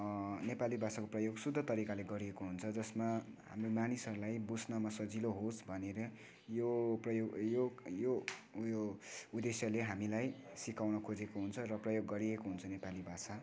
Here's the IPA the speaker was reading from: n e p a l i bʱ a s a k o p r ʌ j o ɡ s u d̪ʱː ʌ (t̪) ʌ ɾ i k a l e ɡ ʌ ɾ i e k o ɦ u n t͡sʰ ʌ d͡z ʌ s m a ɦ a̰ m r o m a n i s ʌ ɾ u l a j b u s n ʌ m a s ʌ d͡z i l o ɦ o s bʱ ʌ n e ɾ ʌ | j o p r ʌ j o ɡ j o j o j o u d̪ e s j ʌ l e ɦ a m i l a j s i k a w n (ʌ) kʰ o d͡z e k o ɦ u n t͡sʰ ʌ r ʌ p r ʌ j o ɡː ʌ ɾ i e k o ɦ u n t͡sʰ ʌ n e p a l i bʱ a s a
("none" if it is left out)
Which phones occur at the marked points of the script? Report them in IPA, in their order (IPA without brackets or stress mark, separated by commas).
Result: t̪, ʌ